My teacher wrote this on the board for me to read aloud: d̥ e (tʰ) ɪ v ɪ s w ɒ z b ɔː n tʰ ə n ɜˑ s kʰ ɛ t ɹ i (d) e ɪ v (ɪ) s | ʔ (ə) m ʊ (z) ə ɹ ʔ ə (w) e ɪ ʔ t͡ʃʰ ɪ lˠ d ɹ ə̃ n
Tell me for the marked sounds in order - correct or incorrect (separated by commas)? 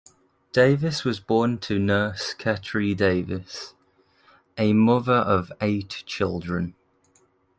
incorrect, correct, correct, correct, incorrect, incorrect